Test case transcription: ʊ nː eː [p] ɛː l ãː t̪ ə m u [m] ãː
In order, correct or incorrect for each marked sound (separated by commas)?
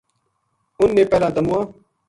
correct, incorrect